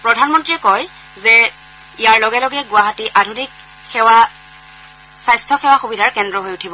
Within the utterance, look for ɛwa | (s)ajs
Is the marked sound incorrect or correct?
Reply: correct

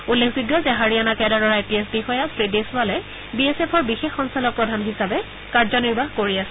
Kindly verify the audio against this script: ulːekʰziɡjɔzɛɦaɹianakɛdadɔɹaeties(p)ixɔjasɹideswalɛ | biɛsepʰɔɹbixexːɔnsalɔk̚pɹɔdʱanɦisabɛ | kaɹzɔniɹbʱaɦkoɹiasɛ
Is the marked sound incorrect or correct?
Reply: incorrect: b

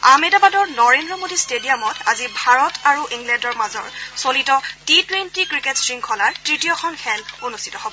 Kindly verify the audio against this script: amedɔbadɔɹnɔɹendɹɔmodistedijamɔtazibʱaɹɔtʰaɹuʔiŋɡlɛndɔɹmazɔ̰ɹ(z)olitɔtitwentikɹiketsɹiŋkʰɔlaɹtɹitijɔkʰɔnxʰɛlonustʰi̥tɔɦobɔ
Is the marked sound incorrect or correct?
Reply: incorrect: s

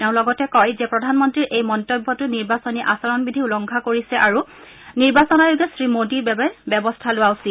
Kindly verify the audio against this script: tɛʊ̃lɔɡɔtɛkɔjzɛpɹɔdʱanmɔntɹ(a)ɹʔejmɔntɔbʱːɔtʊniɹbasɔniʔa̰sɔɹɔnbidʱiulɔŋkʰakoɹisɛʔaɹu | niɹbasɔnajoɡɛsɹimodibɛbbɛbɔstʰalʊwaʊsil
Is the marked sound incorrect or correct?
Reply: incorrect: i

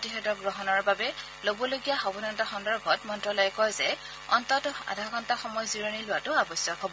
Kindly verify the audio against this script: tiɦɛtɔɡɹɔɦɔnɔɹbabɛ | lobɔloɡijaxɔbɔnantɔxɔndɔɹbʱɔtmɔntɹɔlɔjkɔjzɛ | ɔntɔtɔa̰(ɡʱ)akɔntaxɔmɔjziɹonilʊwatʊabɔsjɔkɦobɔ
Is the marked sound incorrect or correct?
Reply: incorrect: dʱ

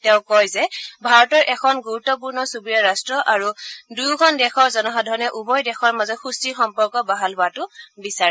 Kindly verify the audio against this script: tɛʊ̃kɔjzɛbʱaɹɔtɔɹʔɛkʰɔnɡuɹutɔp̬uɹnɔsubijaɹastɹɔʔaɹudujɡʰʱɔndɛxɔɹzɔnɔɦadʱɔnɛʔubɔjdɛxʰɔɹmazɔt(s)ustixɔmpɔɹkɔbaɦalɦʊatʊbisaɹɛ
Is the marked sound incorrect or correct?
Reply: incorrect: x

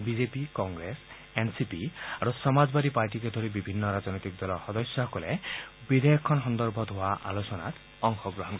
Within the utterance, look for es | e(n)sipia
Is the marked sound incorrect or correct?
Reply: correct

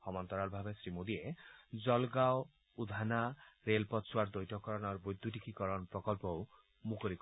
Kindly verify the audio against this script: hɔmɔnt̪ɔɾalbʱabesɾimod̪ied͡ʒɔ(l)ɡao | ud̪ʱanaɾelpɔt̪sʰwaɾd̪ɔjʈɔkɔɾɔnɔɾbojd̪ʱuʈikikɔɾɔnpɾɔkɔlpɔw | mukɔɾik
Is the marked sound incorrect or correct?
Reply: correct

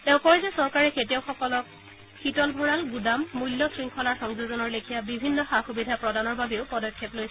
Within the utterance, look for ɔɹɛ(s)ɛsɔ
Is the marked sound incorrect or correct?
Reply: incorrect: z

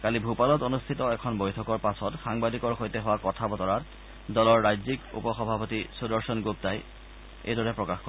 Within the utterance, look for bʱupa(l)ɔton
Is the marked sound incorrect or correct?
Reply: correct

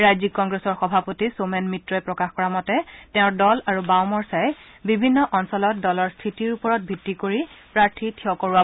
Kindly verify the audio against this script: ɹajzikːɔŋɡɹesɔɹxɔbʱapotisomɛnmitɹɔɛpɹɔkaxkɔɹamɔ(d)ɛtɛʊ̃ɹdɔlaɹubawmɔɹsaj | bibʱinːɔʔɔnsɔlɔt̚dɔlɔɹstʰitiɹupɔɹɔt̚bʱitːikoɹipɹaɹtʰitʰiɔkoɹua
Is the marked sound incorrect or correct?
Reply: incorrect: t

